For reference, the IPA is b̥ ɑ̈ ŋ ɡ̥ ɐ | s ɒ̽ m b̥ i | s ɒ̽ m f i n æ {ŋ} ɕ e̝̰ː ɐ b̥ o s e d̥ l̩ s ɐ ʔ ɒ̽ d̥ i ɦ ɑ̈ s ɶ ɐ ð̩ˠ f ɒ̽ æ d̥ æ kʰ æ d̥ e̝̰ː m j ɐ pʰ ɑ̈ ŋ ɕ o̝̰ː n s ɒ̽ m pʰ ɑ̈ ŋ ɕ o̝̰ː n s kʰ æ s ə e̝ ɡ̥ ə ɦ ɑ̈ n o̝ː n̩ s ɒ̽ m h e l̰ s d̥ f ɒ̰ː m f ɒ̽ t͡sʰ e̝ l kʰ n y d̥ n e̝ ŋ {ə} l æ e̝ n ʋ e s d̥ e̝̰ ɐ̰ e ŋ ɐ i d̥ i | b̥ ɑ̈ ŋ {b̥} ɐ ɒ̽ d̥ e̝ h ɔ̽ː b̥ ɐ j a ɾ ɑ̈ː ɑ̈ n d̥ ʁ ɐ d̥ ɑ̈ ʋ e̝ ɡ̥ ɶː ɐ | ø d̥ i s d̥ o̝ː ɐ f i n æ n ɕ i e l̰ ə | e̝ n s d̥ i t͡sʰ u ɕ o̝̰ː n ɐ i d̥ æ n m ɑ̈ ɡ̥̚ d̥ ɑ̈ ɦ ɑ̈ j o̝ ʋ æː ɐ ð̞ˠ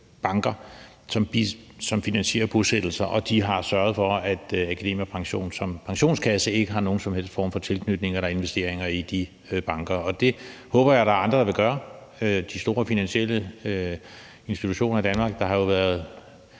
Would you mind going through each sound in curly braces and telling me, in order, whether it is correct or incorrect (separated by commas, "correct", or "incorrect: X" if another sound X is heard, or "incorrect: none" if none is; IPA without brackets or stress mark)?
incorrect: n, incorrect: ɐ, incorrect: ɡ̥